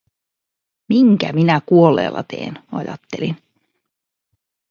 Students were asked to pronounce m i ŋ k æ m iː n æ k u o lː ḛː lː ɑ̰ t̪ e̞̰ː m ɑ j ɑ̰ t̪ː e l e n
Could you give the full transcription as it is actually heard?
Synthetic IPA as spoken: m i ŋ k æ m i n æ k u o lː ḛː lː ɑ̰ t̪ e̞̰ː n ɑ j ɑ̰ t̪ː e l i n